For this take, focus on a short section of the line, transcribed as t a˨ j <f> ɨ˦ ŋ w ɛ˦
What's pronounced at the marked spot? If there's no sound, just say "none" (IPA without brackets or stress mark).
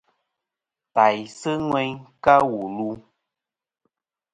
s